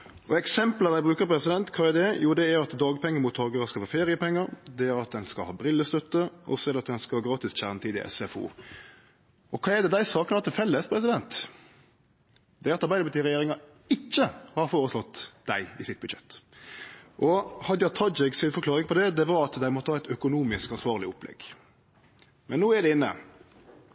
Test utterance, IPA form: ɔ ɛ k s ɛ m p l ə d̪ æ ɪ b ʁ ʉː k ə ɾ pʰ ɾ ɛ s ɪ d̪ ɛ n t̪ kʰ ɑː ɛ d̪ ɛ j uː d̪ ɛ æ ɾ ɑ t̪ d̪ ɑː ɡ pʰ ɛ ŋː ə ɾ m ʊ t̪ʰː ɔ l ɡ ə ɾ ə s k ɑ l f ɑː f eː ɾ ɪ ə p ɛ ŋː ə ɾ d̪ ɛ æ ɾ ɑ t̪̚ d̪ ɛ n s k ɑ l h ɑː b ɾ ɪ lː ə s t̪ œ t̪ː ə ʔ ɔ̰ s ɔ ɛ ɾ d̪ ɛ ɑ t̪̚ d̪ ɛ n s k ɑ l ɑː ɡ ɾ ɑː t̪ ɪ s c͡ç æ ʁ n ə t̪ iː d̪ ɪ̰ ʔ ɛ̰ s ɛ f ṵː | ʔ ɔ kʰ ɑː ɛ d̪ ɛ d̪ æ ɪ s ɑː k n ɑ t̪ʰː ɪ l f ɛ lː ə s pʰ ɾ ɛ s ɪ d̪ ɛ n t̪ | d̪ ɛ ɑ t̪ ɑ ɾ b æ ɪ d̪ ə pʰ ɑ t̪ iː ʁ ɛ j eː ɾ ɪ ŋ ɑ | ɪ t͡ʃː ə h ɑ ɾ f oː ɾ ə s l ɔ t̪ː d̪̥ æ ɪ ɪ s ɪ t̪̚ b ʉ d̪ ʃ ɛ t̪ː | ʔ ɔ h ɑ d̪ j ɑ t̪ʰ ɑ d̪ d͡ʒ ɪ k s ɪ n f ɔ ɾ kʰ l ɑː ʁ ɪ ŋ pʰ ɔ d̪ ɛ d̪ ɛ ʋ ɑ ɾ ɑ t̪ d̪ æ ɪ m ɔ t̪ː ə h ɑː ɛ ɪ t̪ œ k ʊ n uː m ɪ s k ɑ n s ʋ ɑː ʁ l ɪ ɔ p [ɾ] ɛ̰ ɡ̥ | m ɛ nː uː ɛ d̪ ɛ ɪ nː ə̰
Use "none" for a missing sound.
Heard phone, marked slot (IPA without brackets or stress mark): l